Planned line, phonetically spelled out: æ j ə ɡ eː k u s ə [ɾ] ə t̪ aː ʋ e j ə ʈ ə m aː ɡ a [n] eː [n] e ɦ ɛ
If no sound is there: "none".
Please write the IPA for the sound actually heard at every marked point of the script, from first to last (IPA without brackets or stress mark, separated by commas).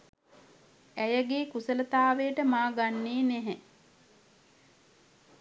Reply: l, nː, n